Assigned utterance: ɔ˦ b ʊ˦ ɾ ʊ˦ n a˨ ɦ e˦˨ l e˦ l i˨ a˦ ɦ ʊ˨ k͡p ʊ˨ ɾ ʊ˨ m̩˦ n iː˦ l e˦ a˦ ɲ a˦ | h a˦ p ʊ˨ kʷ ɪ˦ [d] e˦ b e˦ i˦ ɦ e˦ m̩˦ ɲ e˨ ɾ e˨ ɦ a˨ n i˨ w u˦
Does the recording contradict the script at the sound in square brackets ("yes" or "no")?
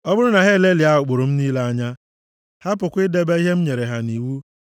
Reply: no